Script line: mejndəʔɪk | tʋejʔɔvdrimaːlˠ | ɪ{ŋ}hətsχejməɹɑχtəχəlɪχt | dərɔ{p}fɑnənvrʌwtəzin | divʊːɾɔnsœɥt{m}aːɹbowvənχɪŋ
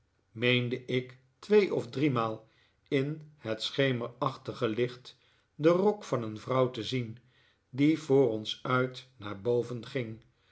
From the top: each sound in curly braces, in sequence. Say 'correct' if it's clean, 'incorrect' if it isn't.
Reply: incorrect: n, incorrect: k, incorrect: n

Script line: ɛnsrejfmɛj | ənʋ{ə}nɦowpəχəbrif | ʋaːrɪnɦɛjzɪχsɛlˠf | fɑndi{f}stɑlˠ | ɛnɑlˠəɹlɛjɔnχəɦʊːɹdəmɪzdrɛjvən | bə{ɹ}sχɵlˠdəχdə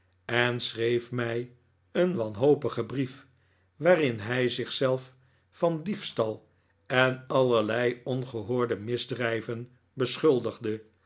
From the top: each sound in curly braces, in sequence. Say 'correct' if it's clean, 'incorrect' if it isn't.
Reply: incorrect: ɑ, correct, incorrect: none

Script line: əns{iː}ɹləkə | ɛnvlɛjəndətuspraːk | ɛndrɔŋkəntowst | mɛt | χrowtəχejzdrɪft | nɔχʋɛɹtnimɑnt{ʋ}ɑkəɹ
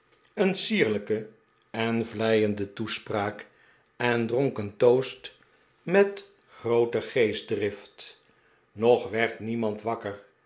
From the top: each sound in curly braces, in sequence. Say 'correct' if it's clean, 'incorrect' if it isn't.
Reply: correct, correct

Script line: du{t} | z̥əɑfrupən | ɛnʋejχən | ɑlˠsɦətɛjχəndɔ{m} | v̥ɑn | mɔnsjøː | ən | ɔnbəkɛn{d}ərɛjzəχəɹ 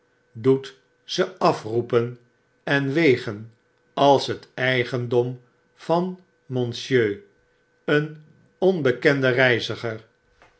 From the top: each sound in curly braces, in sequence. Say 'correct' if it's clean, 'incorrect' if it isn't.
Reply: correct, correct, correct

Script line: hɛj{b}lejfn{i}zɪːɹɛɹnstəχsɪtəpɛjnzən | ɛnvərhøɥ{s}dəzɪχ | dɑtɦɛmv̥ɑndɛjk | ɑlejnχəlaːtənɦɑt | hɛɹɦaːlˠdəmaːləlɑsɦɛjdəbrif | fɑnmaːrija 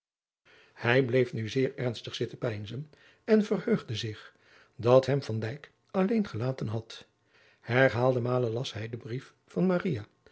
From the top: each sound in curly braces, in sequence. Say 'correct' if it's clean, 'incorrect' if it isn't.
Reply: correct, incorrect: y, incorrect: χ

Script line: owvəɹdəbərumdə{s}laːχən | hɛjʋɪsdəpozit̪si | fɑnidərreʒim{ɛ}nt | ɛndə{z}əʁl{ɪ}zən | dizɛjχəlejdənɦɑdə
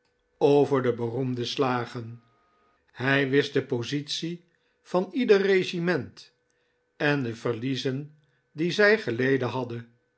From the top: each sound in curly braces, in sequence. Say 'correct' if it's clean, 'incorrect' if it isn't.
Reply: correct, correct, incorrect: v, incorrect: i

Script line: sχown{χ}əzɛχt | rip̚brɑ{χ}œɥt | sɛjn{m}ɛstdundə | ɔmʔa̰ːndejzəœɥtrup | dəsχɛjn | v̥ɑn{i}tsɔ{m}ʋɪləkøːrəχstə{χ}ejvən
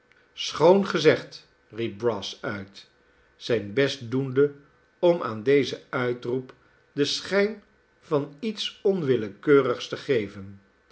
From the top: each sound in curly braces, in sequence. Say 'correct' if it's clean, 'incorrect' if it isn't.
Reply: correct, incorrect: s, incorrect: b, correct, incorrect: n, correct

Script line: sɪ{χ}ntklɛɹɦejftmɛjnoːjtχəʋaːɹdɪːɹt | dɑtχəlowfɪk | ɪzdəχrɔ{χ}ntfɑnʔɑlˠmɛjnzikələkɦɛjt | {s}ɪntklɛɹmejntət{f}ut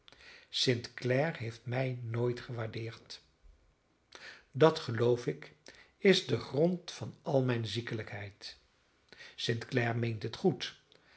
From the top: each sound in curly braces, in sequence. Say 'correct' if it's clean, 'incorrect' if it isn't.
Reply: incorrect: none, incorrect: none, correct, incorrect: χ

